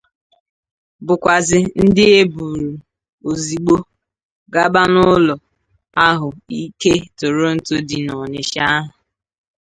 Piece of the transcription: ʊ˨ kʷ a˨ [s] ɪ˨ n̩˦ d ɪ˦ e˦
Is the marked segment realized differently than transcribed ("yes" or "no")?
yes